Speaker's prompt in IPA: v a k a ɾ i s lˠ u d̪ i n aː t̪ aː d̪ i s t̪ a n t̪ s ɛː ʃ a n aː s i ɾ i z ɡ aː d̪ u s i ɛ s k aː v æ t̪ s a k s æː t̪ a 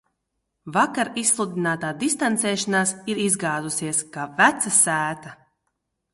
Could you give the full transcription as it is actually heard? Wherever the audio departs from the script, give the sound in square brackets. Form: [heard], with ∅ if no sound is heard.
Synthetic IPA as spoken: v a k a ɾ i s lˠ u d̪ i n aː t̪ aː d̪ i s t̪ a n t̪ s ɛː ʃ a n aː s i ɾ i z ɡ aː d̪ u s i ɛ s k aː v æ t̪ s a [∅] s æː t̪ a